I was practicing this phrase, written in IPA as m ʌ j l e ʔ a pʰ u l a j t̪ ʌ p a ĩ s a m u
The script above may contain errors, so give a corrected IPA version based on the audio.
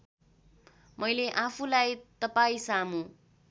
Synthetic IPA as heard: m ʌ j l e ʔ a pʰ u l a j t̪ ʌ p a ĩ s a m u